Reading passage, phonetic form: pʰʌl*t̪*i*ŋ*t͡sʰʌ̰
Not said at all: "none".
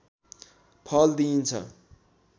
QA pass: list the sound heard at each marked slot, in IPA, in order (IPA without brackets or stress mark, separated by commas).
d̪, n